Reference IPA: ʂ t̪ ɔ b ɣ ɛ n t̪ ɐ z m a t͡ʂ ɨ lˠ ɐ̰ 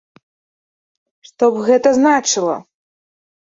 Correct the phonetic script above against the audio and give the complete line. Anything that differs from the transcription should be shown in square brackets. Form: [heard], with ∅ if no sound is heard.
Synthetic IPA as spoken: ʂ t̪ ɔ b ɣ ɛ [∅] t̪ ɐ z [n] a t͡ʂ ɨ lˠ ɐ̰